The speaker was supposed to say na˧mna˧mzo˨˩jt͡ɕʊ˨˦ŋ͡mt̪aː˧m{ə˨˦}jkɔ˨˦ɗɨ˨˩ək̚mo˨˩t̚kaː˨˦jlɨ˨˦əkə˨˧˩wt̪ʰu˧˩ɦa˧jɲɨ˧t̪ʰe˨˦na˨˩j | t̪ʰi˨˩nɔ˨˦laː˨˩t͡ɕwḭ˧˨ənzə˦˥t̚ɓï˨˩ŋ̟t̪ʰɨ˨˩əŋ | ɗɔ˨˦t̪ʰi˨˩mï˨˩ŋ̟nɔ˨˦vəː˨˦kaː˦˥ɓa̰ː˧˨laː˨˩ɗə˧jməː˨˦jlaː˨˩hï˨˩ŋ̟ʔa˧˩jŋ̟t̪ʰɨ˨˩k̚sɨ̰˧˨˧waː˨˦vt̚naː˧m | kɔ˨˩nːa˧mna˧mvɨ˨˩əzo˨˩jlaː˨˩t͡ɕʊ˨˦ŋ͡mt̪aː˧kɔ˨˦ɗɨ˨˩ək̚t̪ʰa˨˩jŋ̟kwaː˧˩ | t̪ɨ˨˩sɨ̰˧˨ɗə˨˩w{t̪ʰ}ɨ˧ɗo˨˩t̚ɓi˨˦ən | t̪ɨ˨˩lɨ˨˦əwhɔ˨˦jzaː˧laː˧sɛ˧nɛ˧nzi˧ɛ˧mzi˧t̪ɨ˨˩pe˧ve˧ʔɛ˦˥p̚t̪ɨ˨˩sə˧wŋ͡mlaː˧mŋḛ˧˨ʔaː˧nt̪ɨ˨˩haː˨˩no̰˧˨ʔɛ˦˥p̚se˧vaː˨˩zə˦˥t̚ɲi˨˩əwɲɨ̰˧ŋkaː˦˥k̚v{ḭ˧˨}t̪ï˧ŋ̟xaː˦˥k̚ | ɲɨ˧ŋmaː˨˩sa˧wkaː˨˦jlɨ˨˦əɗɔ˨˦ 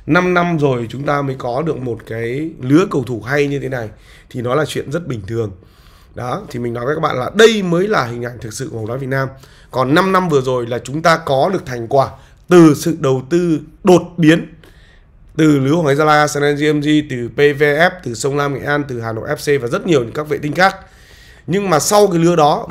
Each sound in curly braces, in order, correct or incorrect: incorrect: əː˨˦, incorrect: t̪, incorrect: ḛ˧˨

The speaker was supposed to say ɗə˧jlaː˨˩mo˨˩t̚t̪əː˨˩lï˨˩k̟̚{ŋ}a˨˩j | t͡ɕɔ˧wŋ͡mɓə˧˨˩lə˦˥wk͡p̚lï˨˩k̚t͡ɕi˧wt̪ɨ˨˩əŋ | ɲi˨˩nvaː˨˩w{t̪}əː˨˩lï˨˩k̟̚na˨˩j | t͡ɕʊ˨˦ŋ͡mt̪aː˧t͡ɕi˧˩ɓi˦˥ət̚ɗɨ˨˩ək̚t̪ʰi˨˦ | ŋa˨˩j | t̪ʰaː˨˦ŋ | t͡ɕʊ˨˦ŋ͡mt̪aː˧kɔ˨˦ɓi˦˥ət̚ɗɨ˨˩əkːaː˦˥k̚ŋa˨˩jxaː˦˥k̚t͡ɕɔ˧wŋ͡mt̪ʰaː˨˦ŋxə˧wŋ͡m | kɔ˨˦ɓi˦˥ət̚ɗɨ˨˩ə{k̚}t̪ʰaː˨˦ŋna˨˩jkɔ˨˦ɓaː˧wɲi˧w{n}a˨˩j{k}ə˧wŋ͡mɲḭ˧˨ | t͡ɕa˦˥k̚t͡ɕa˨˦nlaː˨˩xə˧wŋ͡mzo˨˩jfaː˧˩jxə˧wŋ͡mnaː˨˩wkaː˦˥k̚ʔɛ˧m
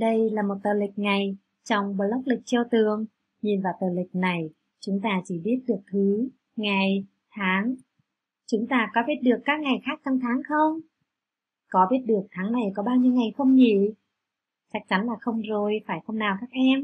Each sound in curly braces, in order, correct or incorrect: correct, correct, correct, incorrect: ŋ, incorrect: x

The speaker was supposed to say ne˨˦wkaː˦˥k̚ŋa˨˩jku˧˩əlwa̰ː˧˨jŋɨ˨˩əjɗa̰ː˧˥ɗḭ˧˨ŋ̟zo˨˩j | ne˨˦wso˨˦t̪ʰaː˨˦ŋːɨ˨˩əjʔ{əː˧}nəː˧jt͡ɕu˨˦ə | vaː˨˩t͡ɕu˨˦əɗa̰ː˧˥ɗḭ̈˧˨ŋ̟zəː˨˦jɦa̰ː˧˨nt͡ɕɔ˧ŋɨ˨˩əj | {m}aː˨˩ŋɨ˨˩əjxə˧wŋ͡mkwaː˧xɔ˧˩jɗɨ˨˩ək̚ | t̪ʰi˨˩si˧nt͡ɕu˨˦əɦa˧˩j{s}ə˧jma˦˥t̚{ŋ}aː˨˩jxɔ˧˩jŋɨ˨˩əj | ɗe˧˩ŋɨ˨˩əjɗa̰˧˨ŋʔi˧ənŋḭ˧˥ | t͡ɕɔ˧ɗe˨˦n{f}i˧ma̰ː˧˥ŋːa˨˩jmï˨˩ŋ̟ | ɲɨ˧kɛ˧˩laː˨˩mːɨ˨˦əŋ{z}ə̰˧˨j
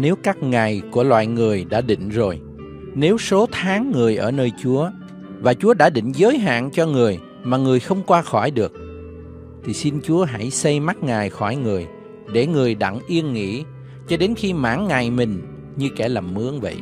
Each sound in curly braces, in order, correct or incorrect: incorrect: əː˧˩, correct, correct, correct, incorrect: x, incorrect: v

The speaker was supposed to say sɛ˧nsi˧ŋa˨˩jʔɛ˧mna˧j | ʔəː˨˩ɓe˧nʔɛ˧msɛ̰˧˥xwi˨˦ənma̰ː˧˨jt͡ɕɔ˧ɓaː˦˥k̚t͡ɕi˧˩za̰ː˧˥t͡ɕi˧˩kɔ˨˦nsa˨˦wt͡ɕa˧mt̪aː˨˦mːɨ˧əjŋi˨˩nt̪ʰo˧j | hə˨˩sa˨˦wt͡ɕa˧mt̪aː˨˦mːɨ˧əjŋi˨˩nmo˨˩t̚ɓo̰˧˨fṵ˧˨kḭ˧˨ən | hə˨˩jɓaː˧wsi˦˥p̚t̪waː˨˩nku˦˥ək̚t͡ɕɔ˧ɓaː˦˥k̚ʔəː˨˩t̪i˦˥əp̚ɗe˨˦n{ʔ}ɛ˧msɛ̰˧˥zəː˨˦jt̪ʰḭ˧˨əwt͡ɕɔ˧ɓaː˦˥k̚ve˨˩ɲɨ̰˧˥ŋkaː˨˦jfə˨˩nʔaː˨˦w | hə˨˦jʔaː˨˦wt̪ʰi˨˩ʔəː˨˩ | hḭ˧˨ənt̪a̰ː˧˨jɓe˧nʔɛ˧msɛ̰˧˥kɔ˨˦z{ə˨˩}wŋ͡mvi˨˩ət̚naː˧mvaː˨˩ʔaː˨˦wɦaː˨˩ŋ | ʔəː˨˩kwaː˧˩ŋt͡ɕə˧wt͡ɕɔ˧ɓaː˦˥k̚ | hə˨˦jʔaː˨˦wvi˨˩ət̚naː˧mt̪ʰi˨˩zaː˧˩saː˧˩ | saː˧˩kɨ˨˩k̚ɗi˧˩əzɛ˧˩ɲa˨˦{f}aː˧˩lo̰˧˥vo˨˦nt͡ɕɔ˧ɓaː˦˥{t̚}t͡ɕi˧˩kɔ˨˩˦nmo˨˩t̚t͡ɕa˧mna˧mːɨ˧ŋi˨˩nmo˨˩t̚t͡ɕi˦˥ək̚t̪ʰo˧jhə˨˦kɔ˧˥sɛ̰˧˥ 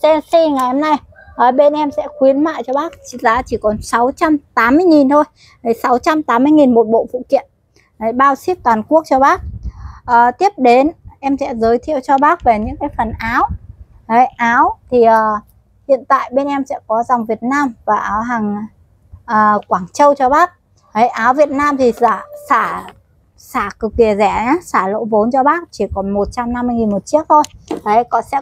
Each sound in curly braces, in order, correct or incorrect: correct, incorrect: a˨˩, incorrect: s, incorrect: k̚

